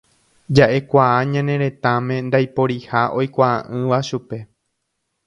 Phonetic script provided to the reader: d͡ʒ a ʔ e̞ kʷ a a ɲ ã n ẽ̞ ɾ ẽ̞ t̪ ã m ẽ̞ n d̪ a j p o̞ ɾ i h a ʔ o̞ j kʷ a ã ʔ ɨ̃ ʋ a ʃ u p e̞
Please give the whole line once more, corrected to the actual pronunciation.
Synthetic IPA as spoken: d͡ʒ a ʔ e̞ kʷ a a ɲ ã n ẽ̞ ɾ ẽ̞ t̪ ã m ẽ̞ n d̪ a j p o̞ ɾ i h a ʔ o̞ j kʷ a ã ʔ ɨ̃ ʋ a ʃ u p e̞